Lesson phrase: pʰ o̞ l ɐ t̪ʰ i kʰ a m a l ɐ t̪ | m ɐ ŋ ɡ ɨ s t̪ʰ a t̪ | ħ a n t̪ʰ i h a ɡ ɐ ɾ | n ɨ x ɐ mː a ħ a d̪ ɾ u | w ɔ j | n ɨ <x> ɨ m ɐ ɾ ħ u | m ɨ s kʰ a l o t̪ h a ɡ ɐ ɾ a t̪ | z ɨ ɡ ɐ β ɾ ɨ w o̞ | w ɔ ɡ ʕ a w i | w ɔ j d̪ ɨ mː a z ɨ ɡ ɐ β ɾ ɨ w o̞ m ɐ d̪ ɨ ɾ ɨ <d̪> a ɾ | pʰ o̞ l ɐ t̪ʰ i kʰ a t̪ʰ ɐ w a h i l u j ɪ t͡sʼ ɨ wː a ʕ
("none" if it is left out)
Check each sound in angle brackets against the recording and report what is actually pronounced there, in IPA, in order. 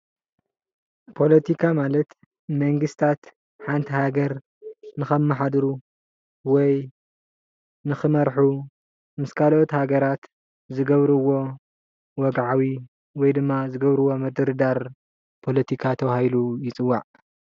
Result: x, d̪

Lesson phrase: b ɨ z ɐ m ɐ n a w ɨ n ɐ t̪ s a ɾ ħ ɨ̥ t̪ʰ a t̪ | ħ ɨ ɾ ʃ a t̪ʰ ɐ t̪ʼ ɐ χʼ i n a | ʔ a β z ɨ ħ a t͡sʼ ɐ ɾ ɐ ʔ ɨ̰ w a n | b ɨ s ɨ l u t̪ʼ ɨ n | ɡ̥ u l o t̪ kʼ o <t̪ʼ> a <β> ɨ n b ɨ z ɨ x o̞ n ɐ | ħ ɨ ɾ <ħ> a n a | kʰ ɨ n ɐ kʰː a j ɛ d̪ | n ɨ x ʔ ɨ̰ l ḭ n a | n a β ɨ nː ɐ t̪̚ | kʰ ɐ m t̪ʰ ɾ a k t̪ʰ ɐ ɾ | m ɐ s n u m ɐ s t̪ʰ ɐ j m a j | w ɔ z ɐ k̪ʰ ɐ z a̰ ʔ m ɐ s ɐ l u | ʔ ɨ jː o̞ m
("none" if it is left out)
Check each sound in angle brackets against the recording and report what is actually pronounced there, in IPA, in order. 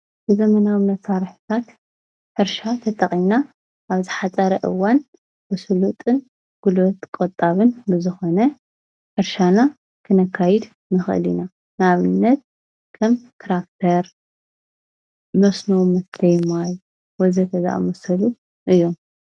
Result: t̪ʼ, β, ʃ

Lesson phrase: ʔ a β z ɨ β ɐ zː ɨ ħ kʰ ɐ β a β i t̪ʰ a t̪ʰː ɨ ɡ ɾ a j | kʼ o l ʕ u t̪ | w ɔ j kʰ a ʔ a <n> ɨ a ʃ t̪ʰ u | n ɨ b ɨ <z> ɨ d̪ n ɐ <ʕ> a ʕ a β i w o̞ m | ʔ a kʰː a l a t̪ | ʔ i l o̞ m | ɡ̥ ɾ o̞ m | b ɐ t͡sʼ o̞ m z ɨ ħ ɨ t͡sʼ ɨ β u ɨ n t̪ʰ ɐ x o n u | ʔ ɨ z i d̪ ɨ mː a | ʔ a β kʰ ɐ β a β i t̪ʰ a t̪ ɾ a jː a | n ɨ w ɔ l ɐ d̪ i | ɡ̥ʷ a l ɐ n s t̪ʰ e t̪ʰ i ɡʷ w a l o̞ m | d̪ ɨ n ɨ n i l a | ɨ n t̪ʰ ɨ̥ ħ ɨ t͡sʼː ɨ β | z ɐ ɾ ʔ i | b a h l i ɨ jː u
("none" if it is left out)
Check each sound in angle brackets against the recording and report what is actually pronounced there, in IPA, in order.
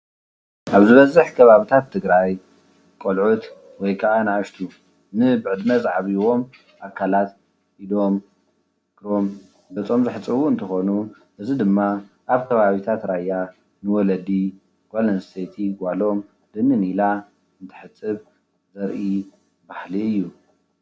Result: n, ʕ, z

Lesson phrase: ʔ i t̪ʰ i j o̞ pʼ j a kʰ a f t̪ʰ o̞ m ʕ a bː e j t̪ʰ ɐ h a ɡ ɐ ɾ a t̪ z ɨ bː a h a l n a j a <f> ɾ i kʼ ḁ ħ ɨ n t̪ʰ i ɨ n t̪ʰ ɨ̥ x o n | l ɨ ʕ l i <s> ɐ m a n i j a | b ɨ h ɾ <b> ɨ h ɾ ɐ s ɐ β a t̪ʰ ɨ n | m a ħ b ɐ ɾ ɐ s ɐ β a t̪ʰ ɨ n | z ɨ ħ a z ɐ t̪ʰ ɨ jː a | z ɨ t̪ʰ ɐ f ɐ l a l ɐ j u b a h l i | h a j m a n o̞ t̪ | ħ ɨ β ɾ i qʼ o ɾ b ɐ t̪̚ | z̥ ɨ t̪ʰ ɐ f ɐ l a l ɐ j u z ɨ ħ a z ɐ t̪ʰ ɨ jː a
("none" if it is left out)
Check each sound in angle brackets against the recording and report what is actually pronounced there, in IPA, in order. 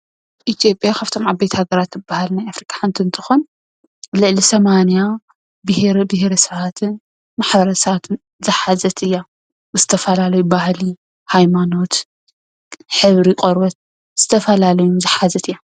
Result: f, s, b

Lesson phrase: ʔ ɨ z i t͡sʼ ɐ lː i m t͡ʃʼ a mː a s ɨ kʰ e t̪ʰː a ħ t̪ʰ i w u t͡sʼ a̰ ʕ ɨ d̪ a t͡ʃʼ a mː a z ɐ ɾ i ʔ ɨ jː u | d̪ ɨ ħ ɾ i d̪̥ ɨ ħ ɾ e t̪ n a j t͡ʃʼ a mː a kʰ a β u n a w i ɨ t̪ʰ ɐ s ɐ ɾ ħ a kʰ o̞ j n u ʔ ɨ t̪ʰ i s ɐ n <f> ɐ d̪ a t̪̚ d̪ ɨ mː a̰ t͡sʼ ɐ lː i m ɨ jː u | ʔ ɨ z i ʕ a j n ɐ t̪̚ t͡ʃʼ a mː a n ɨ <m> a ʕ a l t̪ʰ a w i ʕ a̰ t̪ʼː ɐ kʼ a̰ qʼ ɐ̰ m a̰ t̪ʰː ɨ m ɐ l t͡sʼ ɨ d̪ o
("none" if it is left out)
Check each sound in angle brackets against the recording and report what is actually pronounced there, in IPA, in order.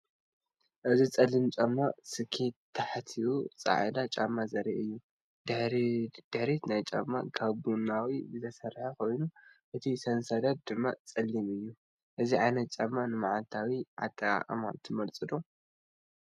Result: s, m

